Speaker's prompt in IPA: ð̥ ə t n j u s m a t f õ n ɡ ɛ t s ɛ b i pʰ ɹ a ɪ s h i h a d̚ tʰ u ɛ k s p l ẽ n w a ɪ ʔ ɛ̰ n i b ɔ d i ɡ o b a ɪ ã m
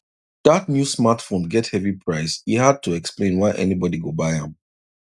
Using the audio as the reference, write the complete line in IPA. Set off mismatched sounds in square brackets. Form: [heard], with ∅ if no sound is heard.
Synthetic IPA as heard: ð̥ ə t n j u s m a t f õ n ɡ ɛ t [h] ɛ [v] i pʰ ɹ a ɪ s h i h a d̚ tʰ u ɛ k s p l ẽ n w a ɪ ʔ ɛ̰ n i b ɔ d i ɡ o b a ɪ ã m